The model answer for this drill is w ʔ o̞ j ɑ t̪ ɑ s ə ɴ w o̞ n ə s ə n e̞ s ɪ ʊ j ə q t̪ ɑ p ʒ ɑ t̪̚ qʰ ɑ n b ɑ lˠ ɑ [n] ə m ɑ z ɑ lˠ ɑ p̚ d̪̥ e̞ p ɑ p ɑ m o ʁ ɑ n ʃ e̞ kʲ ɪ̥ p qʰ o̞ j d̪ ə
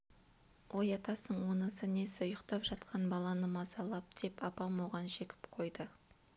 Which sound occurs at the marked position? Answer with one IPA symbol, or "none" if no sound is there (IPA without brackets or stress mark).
n